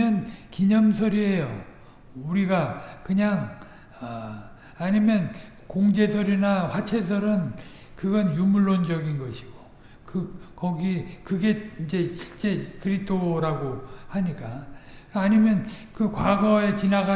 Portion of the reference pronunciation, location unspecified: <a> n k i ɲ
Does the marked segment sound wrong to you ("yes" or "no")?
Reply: yes